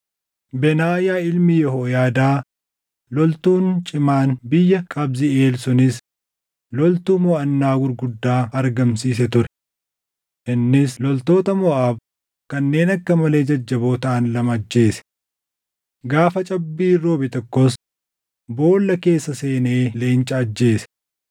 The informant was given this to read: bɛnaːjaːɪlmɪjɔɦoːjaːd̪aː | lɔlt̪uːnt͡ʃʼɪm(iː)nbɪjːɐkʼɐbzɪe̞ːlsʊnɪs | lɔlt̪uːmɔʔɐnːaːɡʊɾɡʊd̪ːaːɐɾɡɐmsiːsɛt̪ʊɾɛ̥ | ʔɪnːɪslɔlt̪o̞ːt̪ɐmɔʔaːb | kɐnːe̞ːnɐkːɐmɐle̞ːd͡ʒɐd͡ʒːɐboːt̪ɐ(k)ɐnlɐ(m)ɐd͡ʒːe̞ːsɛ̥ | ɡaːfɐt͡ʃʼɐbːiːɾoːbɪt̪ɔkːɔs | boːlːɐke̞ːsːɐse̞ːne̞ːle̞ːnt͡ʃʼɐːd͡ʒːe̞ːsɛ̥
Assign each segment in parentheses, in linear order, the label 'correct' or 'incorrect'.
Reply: incorrect, incorrect, correct

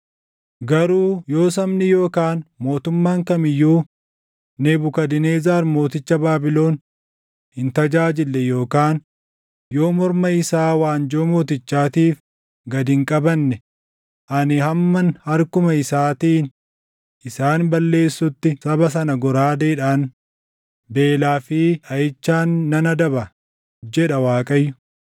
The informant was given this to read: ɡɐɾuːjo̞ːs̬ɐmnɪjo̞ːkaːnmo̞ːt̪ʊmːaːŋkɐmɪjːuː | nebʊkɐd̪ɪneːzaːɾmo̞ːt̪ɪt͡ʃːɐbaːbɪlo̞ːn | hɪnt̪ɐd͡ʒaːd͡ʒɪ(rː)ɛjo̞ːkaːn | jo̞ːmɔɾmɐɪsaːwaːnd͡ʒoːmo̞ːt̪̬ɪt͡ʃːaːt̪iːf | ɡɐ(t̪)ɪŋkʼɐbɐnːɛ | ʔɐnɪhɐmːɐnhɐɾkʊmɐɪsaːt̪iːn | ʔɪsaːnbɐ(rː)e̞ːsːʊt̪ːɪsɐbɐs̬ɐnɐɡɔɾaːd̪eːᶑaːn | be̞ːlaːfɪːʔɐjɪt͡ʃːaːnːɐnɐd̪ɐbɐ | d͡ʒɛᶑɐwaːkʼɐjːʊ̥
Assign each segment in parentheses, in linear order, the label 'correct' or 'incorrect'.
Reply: incorrect, incorrect, incorrect

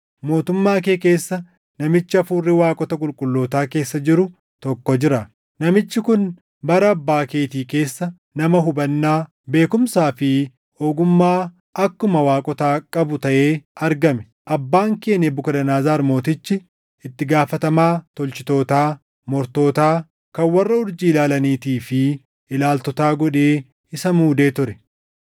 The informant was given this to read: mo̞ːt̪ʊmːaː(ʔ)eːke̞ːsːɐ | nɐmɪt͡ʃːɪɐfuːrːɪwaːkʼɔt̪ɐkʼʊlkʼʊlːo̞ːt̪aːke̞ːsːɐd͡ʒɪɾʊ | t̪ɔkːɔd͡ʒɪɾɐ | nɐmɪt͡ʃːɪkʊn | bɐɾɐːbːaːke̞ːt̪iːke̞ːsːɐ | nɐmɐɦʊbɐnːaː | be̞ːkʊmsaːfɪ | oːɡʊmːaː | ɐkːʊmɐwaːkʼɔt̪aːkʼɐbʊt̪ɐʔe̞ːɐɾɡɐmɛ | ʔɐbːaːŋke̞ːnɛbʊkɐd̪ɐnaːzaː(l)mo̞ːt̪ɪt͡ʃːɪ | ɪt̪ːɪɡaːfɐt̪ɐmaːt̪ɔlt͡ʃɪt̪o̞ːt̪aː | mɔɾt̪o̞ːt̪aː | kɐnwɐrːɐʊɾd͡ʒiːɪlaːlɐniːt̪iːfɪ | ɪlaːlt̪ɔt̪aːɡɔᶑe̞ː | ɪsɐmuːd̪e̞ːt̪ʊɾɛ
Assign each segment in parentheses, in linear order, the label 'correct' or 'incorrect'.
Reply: incorrect, incorrect

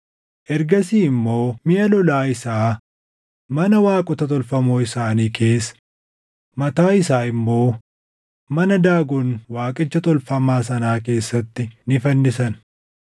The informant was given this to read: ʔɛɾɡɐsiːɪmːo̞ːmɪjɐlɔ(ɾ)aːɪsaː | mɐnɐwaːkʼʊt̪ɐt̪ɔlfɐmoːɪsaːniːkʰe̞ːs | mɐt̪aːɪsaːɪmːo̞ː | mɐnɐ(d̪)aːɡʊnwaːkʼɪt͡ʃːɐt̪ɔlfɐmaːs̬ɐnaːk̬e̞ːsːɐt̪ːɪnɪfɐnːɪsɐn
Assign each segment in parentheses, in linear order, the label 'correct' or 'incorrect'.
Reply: incorrect, correct

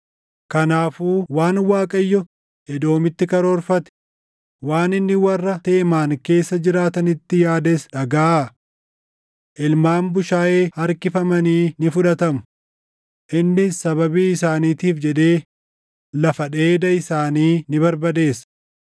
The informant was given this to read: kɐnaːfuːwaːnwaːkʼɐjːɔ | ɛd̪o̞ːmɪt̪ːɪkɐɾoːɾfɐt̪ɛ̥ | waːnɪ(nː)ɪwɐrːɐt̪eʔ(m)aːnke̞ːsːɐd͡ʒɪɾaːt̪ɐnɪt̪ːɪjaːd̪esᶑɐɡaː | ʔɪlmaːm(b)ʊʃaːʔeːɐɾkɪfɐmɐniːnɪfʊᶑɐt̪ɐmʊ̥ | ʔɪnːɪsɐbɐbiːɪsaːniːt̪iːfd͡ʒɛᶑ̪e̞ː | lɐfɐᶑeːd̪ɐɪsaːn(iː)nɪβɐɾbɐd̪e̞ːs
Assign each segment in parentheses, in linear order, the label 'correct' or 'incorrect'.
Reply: correct, correct, correct, correct

